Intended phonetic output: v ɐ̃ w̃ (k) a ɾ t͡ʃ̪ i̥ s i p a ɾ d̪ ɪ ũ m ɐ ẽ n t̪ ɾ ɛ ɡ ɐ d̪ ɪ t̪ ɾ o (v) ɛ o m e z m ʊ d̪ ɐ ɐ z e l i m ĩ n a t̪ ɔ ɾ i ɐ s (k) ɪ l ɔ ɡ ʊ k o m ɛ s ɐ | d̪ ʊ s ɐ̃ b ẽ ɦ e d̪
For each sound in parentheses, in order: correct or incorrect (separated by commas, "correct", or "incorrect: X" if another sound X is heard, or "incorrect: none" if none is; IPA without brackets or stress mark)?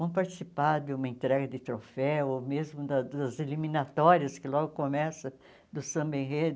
incorrect: p, incorrect: f, correct